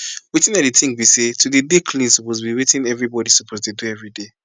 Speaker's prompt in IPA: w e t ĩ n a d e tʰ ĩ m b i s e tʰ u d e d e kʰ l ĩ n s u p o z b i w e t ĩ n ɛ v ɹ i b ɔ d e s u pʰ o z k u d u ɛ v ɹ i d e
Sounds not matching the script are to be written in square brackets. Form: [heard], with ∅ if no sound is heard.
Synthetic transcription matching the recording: w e t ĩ n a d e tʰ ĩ [ŋ] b i s e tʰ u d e d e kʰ l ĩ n s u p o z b i w e t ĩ n ɛ v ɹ i b ɔ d [i] s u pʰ o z [t] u d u ɛ v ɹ i d e